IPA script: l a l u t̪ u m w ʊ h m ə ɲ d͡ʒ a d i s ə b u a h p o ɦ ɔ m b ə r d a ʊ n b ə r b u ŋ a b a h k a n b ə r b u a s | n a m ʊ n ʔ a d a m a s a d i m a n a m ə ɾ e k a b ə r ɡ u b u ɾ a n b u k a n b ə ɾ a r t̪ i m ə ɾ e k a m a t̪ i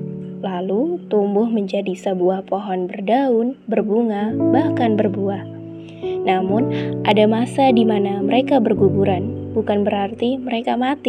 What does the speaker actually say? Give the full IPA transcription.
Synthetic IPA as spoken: l a l u t̪ u m b ʊ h m ə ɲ d͡ʒ a d i s ə b u a h p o ɦ ɔ n b ə r d a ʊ n b ə r b u ŋ a b a h k a n b ə r b u a h | n a m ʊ n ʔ a d a m a s a d i m a n a m ə ɾ e k a b ə r ɡ u b u ɾ a n b u k a n b ə ɾ a r t̪ i m ə ɾ e k a m a t̪ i